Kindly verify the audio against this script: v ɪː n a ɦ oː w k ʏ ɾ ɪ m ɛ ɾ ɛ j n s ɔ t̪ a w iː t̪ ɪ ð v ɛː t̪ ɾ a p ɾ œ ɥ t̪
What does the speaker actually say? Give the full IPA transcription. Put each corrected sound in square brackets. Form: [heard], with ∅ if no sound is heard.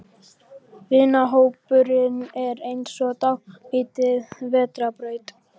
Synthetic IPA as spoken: v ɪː n a ɦ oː w [p] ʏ ɾ ɪ [n] ɛ ɾ [e] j n s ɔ t̪ a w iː t̪ ɪ ð v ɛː t̪ ɾ a p ɾ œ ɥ t̪